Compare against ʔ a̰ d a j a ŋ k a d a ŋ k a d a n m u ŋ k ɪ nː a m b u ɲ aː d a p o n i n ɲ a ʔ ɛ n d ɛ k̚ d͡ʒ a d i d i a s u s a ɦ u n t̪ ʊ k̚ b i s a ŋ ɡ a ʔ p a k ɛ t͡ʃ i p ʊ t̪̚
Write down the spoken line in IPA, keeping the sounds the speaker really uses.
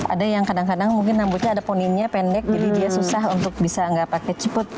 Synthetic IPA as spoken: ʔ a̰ d a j a ŋ k a d a ŋ k a d a ŋ m u ŋ k ɪ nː a m b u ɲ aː d a p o n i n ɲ a p ɛ n d ɛ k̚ d͡ʒ a d i d i a s u s a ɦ u n t̪ ʊ k̚ b i s a ŋ ɡ a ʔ p a k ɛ t͡ʃ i p ʊ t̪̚